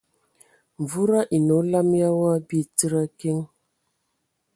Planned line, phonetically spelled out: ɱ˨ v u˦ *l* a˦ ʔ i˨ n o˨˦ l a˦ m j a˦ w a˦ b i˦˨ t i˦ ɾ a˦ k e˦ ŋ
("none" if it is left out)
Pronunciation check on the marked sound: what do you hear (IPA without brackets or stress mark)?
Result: ɾ